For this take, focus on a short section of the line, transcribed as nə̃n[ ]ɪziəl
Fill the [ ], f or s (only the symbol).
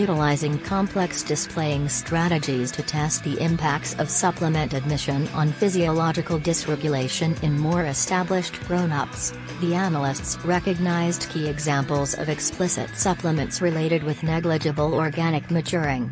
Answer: f